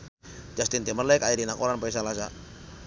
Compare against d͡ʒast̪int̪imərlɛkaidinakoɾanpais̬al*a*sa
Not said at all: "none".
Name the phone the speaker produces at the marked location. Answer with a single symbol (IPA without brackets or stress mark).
a